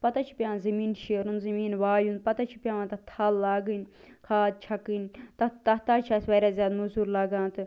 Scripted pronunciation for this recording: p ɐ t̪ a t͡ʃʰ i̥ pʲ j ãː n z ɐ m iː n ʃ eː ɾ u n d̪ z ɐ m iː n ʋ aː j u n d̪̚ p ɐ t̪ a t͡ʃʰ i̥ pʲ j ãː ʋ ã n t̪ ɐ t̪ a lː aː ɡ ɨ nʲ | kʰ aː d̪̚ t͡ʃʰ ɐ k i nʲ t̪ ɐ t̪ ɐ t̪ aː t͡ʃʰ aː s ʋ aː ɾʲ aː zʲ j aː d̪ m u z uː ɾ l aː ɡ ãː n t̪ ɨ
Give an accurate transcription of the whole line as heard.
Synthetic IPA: p ɐ t̪ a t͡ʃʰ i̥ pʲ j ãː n z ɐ m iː n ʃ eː ɾ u n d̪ z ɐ m iː n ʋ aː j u n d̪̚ p ɐ t̪ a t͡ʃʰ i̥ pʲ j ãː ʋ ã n t̪ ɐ t̪ʰ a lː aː ɡ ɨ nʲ | kʰ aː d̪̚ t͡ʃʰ ɐ k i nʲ t̪ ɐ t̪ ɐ t̪ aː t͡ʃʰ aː s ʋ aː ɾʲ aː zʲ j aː d̪ m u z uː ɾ l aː ɡ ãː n t̪ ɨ